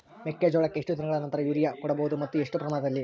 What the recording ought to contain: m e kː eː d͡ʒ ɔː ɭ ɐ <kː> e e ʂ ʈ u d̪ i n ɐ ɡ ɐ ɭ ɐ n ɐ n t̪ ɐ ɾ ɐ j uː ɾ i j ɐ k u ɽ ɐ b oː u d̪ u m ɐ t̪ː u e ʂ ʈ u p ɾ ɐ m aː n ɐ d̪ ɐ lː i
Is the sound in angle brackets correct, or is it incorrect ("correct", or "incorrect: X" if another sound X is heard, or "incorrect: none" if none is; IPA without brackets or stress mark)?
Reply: correct